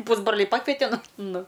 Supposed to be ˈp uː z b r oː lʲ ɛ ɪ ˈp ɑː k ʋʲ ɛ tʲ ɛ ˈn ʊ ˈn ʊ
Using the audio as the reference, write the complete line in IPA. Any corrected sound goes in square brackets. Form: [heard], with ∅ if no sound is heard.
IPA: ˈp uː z b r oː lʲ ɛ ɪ ˈp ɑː k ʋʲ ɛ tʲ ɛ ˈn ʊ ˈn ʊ